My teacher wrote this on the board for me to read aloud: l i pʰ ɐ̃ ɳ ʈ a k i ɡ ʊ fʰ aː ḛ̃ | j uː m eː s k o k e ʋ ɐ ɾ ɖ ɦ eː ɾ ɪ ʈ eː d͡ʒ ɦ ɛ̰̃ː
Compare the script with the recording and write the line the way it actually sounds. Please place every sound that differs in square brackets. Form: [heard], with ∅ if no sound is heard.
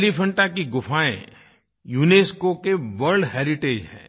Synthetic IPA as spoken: l i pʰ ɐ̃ ɳ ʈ a k i ɡ ʊ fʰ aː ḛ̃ | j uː [n] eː s k o k e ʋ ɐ ɾ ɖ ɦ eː ɾ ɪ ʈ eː d͡ʒ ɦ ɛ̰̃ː